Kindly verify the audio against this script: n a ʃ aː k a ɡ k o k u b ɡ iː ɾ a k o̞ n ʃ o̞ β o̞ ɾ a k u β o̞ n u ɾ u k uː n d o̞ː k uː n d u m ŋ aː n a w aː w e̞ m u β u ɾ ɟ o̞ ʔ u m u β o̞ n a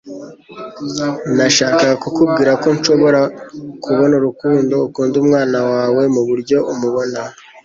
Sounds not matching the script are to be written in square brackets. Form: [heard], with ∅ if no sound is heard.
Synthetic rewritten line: n a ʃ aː k a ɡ k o k u b ɡ iː ɾ a k o̞ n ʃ o̞ β o̞ ɾ a k u β o̞ n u ɾ u k uː n d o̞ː k uː n d u m ŋ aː n a w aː w e̞ m u β u ɾ ɟ o̞ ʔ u m u β o̞ n a